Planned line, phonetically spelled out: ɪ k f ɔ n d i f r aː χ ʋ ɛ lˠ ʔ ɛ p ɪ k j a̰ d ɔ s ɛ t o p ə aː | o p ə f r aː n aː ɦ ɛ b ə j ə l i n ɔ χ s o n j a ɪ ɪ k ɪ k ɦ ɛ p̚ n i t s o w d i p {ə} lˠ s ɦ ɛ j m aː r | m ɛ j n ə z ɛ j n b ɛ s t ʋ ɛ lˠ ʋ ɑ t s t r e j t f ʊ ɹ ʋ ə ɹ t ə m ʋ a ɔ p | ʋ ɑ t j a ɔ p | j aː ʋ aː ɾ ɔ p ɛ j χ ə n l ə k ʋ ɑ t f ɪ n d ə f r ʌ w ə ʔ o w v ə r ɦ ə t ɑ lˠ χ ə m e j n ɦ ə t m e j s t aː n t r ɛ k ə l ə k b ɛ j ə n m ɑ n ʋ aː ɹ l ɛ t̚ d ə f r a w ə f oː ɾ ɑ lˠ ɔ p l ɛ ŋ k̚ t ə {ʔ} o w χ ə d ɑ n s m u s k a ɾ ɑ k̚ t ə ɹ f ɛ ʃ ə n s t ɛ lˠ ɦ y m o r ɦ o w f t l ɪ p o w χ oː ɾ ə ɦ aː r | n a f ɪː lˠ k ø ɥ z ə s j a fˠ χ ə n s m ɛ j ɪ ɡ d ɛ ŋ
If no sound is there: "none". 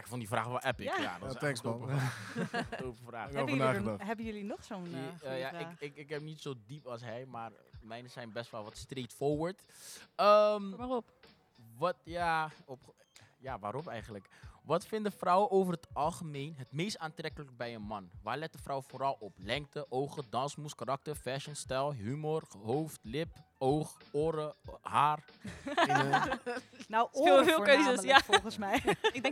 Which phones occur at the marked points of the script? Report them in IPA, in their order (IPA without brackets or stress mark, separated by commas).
ɑ, ʔ